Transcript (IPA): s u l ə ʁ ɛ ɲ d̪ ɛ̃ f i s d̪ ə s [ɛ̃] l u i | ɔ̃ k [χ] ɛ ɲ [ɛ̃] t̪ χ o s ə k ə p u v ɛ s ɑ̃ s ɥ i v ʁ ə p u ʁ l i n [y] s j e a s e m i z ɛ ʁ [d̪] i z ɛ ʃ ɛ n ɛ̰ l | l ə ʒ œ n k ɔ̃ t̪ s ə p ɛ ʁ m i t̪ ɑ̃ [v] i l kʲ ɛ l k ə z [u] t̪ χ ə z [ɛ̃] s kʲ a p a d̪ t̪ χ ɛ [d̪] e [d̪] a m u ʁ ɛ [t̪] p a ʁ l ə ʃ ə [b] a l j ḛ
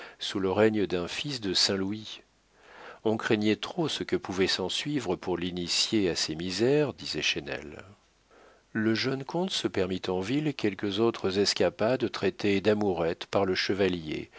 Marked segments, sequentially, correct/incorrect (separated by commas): correct, correct, incorrect, incorrect, correct, correct, incorrect, incorrect, incorrect, correct, correct, incorrect